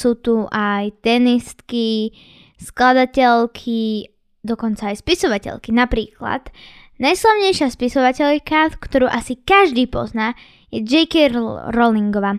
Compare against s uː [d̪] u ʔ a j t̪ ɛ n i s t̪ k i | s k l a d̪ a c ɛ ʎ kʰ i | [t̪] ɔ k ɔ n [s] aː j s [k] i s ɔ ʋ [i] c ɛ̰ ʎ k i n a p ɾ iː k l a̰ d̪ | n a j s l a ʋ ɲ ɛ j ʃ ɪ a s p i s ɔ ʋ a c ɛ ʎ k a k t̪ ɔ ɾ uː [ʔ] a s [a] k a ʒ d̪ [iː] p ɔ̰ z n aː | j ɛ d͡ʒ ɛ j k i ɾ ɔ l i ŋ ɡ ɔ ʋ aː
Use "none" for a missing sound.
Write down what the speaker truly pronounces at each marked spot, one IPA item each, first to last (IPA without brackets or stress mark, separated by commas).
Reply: t̪, d̪, t͡s, p, a, ʔ, i, iː